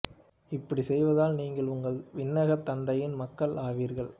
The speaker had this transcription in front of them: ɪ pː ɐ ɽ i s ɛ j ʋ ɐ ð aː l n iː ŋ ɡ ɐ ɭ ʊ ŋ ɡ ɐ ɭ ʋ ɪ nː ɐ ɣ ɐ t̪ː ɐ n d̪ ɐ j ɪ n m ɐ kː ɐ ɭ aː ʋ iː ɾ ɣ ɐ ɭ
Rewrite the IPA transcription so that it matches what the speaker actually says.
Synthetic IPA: ɪ pː ɐ ɽ i s ɛ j ʋ ɐ ð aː l n iː ŋ ɡ ɐ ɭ ʊ ŋ ɡ ɐ ɭ ʋ ɪ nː ɐ ɣ ɐ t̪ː ɐ n d̪ ɐ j ɪ n m ɐ kː ɐ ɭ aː ʋ iː ɾ ɣ ɐ ɭ